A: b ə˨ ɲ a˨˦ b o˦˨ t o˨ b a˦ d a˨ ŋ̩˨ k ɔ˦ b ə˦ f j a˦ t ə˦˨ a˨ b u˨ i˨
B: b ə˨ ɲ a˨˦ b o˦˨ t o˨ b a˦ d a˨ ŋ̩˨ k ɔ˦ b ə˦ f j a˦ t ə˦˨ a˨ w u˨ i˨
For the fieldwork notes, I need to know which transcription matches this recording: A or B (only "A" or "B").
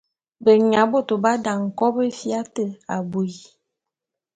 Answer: A